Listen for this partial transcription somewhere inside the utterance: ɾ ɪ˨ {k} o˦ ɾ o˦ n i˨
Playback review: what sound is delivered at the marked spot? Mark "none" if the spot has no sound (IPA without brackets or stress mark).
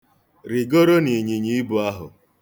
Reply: ɡ